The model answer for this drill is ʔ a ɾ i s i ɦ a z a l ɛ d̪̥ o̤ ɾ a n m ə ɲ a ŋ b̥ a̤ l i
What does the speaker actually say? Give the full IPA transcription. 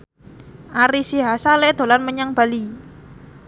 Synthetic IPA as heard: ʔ a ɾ i s i ɦ a s a l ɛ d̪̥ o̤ l a n m ə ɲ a ŋ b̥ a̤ l i